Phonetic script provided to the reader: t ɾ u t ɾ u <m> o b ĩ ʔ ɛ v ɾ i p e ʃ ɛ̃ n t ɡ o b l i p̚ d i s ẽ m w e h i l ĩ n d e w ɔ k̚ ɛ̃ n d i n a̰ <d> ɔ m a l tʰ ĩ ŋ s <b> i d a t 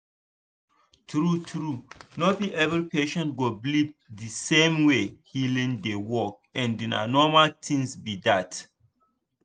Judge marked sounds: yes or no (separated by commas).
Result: no, no, yes